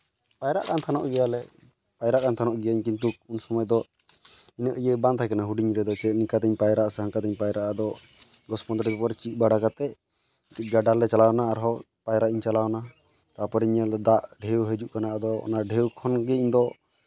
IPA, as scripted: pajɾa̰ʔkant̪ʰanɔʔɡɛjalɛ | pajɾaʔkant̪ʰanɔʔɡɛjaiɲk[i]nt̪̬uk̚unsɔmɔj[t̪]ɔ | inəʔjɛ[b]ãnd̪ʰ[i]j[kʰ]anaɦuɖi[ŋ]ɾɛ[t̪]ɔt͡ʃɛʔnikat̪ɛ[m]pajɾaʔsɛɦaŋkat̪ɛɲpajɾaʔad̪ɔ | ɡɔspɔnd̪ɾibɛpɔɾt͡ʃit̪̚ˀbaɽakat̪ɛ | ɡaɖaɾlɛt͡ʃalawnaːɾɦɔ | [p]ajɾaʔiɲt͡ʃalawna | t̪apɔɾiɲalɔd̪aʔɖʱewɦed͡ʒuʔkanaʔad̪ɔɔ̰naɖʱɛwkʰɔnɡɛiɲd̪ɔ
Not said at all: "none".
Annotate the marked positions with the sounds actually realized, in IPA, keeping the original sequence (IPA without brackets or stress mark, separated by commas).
i, d̪, b, a, k, ɲ, d̪, ɲ, p